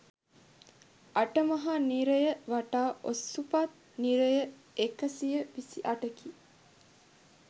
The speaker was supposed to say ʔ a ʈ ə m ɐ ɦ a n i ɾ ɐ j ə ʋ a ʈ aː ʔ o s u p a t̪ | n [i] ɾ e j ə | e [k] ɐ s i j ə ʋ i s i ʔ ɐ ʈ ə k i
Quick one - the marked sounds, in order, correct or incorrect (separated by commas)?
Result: correct, correct